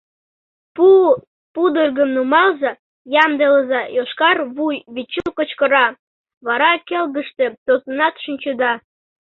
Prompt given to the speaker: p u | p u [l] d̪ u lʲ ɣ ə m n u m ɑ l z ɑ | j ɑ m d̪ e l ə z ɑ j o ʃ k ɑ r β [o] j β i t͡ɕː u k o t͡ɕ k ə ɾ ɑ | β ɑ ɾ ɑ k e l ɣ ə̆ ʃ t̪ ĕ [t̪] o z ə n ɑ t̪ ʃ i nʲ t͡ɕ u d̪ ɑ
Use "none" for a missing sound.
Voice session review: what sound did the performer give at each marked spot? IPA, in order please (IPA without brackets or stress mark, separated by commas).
none, u, t̪